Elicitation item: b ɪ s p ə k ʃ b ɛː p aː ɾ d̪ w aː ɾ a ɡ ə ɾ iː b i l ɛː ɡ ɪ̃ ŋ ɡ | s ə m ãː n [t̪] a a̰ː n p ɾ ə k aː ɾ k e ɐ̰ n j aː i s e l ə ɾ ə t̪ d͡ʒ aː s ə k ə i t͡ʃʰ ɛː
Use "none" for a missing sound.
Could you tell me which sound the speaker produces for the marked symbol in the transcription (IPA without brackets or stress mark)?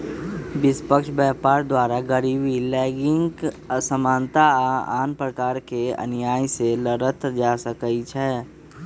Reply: t̪